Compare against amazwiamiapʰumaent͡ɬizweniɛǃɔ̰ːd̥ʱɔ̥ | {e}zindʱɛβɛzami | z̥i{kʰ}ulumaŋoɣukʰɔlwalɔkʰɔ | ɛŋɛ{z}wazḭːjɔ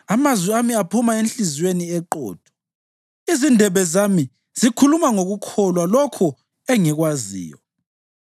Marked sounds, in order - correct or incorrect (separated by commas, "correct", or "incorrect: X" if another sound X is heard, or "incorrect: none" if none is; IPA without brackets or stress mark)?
incorrect: i, correct, incorrect: ɣ